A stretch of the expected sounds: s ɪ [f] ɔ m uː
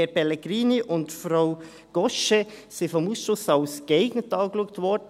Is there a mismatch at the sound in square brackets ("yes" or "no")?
no